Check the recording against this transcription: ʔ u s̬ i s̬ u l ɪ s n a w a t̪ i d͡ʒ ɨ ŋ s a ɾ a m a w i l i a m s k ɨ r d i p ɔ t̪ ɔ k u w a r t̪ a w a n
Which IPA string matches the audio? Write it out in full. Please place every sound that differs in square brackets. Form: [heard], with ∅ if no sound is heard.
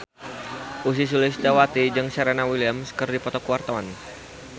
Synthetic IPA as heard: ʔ u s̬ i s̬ u l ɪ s [d] a w a t̪ i d͡ʒ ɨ ŋ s a ɾ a [n] a w i l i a m s k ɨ r d i p ɔ t̪ ɔ k u w a r t̪ a w a n